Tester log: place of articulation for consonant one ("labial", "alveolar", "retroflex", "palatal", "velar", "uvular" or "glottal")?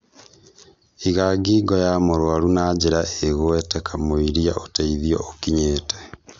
velar